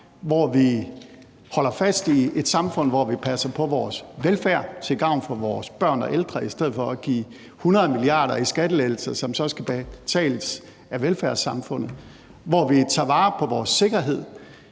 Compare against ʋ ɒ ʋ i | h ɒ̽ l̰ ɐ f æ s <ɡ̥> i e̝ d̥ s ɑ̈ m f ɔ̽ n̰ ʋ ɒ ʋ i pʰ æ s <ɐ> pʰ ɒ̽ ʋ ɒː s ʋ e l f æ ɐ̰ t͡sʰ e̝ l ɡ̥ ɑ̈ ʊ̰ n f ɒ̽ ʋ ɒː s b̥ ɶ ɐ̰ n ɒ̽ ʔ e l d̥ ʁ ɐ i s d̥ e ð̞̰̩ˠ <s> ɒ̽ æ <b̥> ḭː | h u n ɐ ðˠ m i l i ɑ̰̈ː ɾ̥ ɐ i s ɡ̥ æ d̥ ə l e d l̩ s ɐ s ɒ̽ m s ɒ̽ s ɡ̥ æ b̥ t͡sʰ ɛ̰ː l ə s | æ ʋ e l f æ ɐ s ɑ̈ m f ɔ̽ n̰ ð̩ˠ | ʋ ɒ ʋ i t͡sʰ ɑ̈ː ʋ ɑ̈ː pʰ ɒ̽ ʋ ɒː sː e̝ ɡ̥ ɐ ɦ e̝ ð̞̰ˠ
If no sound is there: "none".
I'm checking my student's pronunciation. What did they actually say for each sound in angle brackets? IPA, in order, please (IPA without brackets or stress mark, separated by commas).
d̥, ɐ, f, ɡ̥